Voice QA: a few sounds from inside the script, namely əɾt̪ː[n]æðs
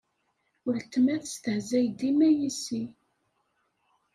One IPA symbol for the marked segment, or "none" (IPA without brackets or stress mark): m